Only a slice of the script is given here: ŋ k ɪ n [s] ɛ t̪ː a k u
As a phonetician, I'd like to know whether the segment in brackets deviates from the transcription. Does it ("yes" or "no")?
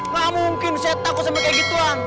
no